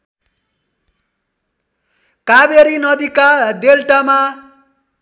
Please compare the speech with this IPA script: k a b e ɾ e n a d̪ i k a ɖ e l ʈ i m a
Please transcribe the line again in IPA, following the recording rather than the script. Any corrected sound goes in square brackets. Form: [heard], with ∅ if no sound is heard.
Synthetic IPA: k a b e ɾ [i] n [ʌ] d̪ i k a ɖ e l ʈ [a] m a